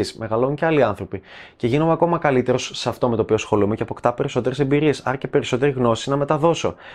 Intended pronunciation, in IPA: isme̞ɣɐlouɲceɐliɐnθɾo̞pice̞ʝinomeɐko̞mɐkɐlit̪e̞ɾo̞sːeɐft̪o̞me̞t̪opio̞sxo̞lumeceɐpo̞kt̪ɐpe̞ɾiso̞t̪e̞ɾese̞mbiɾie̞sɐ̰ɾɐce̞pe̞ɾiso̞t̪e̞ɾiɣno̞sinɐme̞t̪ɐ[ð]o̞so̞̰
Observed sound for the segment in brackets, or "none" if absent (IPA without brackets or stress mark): ð